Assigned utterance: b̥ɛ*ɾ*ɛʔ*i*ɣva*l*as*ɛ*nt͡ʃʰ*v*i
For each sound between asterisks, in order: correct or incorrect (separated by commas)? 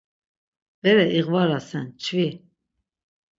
correct, correct, incorrect, correct, correct